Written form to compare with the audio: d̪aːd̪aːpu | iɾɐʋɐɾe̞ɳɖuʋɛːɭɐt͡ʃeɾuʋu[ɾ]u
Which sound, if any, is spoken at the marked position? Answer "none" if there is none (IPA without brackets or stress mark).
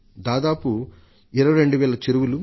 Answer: l